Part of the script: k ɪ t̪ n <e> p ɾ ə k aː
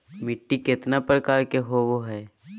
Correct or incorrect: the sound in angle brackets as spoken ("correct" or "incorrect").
incorrect